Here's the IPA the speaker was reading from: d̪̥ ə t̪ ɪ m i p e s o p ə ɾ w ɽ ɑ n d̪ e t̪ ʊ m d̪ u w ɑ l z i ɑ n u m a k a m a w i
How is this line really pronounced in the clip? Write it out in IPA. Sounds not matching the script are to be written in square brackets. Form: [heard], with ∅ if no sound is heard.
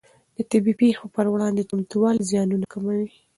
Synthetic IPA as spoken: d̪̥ ə t̪ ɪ [b] i p e [x] o p ə ɾ w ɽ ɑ n d̪ e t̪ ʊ m [t̪] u w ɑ l z [j] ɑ n u [n] a k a m a w i